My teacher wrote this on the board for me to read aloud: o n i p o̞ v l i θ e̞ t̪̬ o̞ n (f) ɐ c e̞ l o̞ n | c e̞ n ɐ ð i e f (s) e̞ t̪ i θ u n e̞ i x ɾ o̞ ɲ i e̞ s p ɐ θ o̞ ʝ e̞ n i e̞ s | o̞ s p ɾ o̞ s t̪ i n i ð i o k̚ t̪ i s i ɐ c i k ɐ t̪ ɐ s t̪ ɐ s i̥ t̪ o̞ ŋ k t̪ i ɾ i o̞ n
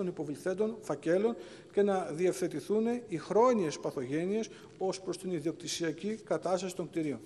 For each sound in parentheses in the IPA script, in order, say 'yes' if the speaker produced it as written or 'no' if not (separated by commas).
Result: yes, no